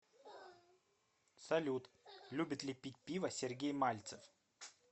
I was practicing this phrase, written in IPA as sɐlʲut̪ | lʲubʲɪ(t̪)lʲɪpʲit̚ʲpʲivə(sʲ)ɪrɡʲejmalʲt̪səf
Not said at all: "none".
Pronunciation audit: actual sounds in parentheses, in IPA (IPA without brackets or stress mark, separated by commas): t̪, sʲ